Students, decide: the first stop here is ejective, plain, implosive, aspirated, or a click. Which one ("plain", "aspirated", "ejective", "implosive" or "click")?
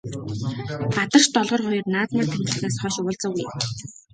plain